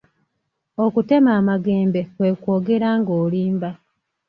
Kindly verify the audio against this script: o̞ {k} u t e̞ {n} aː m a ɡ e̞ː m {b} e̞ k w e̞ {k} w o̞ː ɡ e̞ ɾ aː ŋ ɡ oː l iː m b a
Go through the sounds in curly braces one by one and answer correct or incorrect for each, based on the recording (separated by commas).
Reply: correct, incorrect, correct, correct